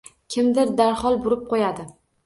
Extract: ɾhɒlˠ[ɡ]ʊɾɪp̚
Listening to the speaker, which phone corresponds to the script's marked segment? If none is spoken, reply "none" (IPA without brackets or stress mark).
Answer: b